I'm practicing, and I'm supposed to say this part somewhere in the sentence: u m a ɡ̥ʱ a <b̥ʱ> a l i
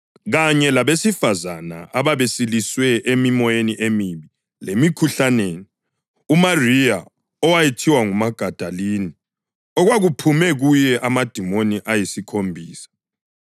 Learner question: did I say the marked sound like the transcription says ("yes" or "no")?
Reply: no